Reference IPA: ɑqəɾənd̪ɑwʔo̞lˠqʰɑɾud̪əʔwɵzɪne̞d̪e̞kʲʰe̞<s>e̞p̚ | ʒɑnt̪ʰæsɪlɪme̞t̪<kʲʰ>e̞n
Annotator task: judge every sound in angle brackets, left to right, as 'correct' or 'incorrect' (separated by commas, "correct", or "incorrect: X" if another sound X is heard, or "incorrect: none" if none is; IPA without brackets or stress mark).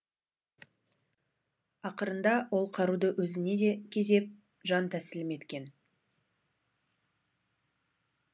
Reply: incorrect: z, incorrect: kʲ